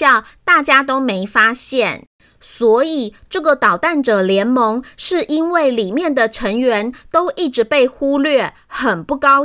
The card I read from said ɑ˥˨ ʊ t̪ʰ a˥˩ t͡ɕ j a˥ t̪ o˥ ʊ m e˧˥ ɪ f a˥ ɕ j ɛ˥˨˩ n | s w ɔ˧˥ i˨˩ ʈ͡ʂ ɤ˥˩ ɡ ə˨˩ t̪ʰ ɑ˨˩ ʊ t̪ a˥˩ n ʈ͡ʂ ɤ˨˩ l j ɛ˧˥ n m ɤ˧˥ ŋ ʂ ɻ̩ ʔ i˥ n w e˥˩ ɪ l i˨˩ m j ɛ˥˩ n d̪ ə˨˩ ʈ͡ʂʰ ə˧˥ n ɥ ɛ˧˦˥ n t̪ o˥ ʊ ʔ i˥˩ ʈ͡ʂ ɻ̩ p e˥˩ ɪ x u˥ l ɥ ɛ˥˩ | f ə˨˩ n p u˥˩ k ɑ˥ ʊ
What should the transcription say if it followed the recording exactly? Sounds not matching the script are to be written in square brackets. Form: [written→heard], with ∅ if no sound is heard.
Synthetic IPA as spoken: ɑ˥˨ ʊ [t̪ʰ→t̪] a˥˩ t͡ɕ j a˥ t̪ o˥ ʊ m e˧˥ ɪ f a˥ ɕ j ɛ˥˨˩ n | s w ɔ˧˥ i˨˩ ʈ͡ʂ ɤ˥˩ ɡ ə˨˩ [t̪ʰ→t̪] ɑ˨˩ ʊ t̪ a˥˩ n ʈ͡ʂ ɤ˨˩ l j ɛ˧˥ n m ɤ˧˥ ŋ ʂ ɻ̩ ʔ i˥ n w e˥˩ ɪ l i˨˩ m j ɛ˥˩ n d̪ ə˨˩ ʈ͡ʂʰ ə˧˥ [n→ŋ] ɥ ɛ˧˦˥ n t̪ o˥ ʊ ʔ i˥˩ ʈ͡ʂ ɻ̩ p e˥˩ ɪ x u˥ l ɥ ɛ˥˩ | [f→x] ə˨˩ n p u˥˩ k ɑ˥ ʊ